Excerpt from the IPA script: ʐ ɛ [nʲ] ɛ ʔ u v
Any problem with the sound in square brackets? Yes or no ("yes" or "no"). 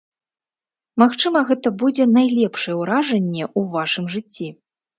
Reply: yes